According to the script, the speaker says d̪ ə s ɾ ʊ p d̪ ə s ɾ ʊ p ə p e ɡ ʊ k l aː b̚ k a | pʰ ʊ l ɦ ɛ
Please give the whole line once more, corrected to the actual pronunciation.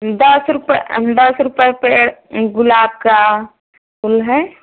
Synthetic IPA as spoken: d̪ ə s ɾ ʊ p d̪ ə s ɾ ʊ p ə p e ɡ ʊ l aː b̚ k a | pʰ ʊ l ɦ ɛ

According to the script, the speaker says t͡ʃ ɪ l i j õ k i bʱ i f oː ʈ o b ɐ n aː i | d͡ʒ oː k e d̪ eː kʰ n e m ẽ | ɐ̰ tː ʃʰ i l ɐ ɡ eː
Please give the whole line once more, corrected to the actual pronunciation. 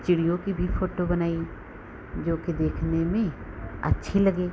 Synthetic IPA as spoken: t͡ʃ ɪ ɽ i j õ k i bʱ i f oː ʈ o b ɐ n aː i | d͡ʒ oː k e d̪ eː kʰ n e m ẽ | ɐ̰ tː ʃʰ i l ɐ ɡ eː

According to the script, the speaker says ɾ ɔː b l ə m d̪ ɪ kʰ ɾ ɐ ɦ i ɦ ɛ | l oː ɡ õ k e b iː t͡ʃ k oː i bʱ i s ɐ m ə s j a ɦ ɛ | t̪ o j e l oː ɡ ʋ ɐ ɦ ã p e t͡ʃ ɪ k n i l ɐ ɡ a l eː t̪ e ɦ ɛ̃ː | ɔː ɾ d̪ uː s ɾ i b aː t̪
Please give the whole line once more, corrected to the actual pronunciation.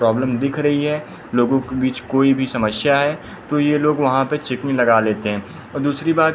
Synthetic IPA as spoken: ɾ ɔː b l ə m d̪ ɪ kʰ ɾ ɐ ɦ i ɦ ɛ | l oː ɡ õ k e b iː t͡ʃ k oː i bʱ i s ɐ m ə s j a ɦ ɛ | t̪ o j e l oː ɡ ʋ ɐ ɦ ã p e t͡ʃ ɪ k n i l ɐ ɡ a l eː t̪ e ɦ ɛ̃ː | ɔː ɾ d̪ uː s ɾ i b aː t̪

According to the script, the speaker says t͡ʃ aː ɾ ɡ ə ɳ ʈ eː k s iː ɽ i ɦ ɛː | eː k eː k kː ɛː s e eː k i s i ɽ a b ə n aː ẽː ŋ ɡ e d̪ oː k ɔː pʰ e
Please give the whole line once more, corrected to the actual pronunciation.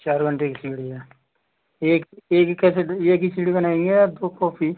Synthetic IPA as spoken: t͡ʃ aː ɾ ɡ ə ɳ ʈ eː k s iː ɽ i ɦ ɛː | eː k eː k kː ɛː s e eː k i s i ɽ i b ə n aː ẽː ŋ ɡ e d̪ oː k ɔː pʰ i

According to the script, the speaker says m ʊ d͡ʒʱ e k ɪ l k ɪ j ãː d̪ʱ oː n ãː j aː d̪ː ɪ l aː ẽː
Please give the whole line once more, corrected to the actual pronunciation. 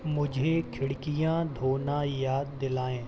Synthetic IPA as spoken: m ʊ d͡ʒʱ e kʰ ɪ ɽ k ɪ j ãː d̪ʱ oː n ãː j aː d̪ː ɪ l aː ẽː

